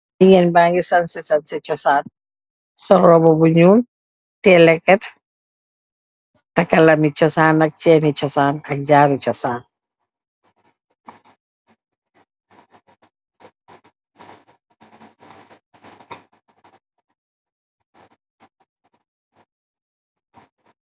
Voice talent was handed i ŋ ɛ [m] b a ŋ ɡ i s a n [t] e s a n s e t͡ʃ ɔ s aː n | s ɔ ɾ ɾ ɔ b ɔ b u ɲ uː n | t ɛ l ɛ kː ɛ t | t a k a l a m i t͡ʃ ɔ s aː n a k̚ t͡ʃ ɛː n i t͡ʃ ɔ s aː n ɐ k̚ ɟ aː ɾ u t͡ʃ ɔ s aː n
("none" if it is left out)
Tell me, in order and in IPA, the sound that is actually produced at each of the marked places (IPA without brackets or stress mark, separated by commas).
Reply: n, s